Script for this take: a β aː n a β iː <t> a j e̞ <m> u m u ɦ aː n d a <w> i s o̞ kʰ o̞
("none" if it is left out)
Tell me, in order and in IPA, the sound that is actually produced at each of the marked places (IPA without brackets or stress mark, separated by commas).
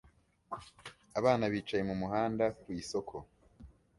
t͡ʃ, m, w